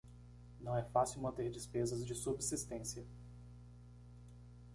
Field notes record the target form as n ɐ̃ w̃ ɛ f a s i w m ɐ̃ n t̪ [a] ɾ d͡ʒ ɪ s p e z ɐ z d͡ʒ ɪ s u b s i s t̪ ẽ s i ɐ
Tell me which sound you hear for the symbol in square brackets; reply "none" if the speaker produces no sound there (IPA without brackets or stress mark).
e